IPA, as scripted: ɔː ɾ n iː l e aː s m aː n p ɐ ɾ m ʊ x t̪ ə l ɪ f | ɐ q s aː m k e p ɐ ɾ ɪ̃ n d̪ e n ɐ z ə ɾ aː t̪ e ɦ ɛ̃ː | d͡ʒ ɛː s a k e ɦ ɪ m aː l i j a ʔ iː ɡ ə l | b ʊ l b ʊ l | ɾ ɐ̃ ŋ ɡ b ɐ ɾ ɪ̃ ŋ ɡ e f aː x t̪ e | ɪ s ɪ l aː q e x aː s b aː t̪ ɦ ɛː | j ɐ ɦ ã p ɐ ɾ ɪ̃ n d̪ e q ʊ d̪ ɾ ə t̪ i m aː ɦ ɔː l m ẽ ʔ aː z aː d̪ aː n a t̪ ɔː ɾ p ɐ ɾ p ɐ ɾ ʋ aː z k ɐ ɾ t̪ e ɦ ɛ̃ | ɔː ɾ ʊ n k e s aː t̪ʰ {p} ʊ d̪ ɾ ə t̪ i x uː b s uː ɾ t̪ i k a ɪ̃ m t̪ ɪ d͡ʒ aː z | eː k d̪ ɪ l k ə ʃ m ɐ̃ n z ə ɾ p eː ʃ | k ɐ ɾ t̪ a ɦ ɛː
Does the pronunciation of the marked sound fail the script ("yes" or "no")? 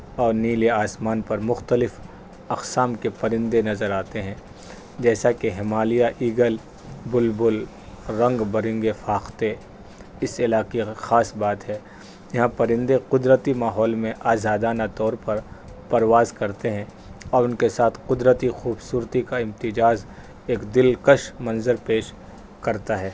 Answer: yes